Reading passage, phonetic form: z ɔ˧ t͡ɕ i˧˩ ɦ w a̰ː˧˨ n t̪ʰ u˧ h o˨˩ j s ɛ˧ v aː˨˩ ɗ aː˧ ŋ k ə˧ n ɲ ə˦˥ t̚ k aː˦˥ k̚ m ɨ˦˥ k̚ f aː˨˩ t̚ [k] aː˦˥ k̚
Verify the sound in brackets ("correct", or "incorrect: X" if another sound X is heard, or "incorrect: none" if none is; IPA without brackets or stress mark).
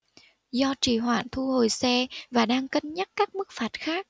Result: incorrect: x